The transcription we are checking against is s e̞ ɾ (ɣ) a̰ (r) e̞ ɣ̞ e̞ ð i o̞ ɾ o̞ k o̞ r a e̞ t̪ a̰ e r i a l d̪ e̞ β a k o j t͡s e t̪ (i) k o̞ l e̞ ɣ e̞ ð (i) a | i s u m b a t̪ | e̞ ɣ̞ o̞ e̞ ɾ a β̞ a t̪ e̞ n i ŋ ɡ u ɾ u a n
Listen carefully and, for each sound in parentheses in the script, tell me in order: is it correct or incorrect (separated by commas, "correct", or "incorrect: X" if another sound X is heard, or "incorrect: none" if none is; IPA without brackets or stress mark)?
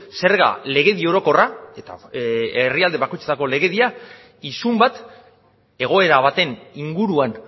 correct, incorrect: l, incorrect: a, correct